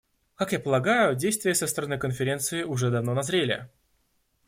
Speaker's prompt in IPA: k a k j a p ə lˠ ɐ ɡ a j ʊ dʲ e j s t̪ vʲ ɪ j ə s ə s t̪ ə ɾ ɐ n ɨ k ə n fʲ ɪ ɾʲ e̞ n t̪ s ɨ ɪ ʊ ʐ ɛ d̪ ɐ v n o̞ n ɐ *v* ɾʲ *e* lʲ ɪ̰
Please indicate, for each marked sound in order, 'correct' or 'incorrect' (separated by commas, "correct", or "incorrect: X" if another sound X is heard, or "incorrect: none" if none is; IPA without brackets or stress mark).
incorrect: z, correct